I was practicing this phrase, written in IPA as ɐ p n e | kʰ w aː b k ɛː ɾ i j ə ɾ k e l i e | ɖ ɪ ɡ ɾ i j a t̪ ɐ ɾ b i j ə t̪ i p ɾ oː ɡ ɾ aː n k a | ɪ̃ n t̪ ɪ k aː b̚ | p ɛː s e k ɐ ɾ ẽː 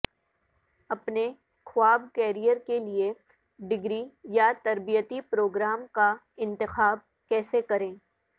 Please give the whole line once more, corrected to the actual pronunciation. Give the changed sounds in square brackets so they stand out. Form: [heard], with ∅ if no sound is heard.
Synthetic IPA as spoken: ɐ p n e | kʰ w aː b k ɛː ɾ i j ə ɾ k e l i e | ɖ ɪ ɡ ɾ i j a t̪ ɐ ɾ b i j ə t̪ i p ɾ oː ɡ ɾ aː [m] k a | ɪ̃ n t̪ ɪ [x] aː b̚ | [k] ɛː s e k ɐ ɾ ẽː